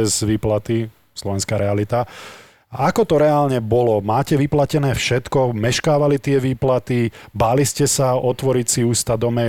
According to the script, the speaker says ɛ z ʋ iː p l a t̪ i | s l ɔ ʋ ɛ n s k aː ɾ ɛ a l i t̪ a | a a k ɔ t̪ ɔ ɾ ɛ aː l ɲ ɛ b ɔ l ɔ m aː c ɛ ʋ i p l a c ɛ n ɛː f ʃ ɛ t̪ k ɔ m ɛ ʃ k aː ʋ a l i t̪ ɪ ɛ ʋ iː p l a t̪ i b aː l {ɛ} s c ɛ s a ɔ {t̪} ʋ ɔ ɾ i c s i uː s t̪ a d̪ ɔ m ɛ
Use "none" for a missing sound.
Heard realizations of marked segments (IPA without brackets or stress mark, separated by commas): i, t̪